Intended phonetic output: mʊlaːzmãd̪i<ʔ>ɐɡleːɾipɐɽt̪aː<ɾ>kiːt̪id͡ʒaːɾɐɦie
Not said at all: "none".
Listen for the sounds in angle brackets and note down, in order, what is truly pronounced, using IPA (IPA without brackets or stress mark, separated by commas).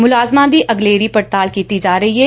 ʔ, l